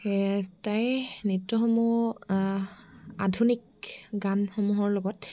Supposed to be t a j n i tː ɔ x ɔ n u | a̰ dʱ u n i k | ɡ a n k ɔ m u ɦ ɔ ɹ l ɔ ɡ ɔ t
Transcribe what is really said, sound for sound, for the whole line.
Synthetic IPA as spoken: t a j n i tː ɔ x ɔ m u | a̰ dʱ u n i k | ɡ a n x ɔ m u ɦ ɔ ɹ l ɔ ɡ ɔ t

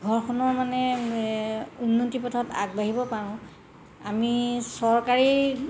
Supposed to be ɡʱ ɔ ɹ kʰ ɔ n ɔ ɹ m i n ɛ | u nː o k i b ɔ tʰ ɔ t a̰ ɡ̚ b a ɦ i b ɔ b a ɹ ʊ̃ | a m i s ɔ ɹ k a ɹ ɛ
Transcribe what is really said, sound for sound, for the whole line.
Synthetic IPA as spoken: ɡʱ ɔ ɹ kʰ ɔ n ɔ ɹ m a n ɛ | u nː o t i p ɔ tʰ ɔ t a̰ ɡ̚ b a ɦ i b ɔ p a ɹ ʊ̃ | a m i s ɔ ɹ k a ɹ i

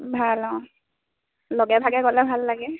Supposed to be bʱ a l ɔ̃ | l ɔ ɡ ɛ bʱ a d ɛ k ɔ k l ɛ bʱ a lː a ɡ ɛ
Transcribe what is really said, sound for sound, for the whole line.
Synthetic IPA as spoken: bʱ a l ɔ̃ | l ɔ ɡ ɛ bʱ a ɡ ɛ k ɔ l ɛ bʱ a lː a ɡ ɛ

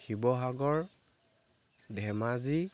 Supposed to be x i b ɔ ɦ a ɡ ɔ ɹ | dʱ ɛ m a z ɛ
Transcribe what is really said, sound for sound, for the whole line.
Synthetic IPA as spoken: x i b ɔ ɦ a ɡ ɔ ɹ | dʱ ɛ m a z i

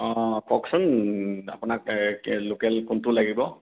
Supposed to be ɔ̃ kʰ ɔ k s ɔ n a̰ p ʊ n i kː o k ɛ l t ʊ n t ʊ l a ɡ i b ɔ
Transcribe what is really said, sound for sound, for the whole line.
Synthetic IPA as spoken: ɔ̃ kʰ ɔ k s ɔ n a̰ p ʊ n a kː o k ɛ l k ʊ n t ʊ l a ɡ i b ɔ

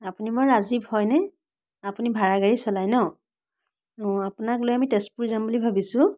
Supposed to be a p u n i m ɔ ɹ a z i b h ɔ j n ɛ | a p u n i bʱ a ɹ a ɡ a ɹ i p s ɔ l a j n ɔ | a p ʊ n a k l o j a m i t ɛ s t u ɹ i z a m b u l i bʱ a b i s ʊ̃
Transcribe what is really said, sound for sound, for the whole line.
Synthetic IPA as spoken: a p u n i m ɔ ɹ a z i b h ɔ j n ɛ | a p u n i bʱ a ɹ a ɡ a ɹ i s ɔ l a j n ɔ | a p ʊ n a k l o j a m i t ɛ s p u ɹ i z a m b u l i bʱ a b i s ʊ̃

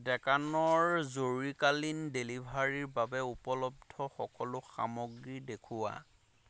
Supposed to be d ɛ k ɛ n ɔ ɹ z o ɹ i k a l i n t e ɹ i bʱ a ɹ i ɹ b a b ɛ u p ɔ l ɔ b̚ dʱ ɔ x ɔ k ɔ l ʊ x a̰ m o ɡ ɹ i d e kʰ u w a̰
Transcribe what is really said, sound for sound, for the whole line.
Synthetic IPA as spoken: d ɛ k a n ɔ ɹ z o ɹ i k a l i n d e l i bʱ a ɹ i ɹ b a b ɛ u p ɔ l ɔ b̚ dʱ ɔ x ɔ k ɔ l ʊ x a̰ m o ɡ ɹ i d e kʰ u w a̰

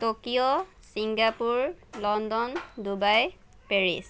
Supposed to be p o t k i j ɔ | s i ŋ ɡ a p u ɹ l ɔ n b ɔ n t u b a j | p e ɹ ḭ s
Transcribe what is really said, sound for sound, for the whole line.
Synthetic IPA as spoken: t o k i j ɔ | s i ŋ ɡ a p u ɹ l ɔ n d ɔ n d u b a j | p e ɹ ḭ s

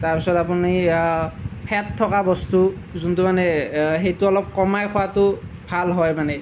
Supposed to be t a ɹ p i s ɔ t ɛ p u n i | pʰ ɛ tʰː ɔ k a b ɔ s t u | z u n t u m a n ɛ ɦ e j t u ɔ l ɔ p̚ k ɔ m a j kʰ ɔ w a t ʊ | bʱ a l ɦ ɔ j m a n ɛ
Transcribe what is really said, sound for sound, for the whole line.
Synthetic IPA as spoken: t a ɹ p i s ɔ t a p u n i | pʰ ɛ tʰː ɔ k a b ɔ s t u | z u n t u m a n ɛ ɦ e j t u ɔ l ɔ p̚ k ɔ m a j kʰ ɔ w a t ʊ | bʱ a l ɦ ɔ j m a n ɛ

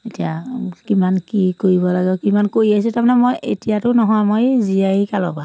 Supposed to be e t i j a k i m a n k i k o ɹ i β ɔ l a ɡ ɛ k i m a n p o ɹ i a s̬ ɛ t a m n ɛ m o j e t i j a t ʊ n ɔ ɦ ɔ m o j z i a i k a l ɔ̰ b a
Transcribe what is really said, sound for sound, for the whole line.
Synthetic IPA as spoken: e t i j a k i m a n k i k o ɹ i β ɔ l a ɡ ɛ k i m a n k o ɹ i a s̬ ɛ t a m n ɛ m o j e t i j a t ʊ n ɔ ɦ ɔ m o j z i a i k a l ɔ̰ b a

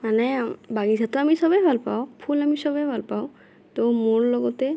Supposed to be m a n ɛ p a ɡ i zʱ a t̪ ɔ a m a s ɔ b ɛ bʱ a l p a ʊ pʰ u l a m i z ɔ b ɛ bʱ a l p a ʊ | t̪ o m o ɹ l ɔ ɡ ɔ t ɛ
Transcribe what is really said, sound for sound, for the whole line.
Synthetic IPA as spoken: m a n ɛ b a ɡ i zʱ a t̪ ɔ a m i s ɔ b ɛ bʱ a l p a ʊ pʰ u l a m i s ɔ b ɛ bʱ a l p a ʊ | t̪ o m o ɹ l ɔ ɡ ɔ t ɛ

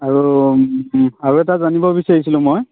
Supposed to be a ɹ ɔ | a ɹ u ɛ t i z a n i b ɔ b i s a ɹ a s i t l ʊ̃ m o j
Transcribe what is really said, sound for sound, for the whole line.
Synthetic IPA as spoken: a ɹ u | a ɹ u ɛ t a z a n i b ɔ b i s a ɹ i s i l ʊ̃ m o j

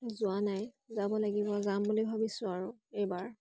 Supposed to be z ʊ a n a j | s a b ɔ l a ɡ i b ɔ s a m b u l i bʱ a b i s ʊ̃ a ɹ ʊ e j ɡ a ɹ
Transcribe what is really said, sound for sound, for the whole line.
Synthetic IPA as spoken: z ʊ a n a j | z a b ɔ l a ɡ i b ɔ z a m b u l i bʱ a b i s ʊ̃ a ɹ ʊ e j b a ɹ

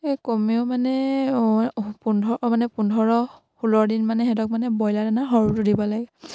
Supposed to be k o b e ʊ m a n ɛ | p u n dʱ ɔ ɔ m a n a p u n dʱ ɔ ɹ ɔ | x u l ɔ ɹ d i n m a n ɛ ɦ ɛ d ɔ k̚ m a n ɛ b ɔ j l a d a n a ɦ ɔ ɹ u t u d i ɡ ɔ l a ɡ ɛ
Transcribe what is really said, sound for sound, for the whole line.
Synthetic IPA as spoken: k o m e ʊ m a n ɛ | p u n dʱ ɔ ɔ m a n ɛ p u n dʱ ɔ ɹ ɔ | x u l ɔ ɹ d i n m a n ɛ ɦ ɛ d ɔ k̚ m a n ɛ b ɔ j l a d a n a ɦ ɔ ɹ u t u d i b ɔ l a ɡ ɛ

